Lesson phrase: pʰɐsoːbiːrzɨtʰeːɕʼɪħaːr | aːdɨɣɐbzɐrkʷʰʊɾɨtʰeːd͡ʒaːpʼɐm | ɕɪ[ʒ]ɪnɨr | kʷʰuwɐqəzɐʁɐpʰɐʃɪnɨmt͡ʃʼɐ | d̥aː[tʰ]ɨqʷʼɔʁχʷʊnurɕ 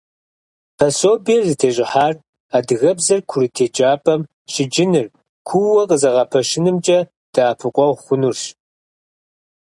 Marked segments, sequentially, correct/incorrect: incorrect: d͡ʒ, incorrect: pʰ

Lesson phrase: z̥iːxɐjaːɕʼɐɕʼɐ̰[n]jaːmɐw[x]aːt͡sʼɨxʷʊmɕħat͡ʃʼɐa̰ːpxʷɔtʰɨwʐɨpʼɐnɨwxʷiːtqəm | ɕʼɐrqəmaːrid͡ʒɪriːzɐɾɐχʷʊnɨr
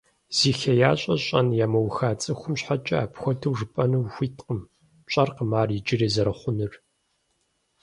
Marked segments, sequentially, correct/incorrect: correct, correct

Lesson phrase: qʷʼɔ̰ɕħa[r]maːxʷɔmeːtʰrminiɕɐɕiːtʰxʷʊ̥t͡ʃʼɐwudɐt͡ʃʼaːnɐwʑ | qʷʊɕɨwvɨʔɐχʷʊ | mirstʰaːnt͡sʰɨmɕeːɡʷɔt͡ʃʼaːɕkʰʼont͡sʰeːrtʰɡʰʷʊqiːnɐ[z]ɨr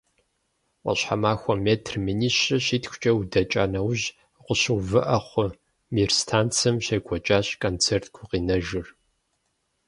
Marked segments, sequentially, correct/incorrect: incorrect: none, incorrect: ʒ

